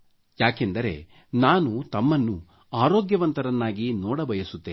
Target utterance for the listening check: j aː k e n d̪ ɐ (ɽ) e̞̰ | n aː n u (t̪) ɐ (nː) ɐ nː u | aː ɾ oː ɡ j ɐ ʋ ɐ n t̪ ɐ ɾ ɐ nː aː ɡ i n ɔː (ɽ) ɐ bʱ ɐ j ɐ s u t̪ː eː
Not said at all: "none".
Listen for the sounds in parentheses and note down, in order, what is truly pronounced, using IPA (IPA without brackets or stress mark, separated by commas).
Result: ɾ, t̪, mː, ɽ